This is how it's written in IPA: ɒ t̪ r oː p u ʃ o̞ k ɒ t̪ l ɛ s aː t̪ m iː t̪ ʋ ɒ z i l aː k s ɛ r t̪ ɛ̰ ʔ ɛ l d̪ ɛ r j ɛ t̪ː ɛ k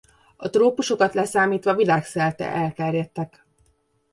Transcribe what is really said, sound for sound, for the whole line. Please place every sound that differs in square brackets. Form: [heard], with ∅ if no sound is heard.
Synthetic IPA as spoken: ɒ t̪ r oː p u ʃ o̞ k ɒ t̪ l ɛ s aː [∅] m iː t̪ ʋ ɒ [v] i l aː k s ɛ [l] t̪ ɛ̰ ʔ ɛ l [t̪] ɛ r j ɛ t̪ː ɛ k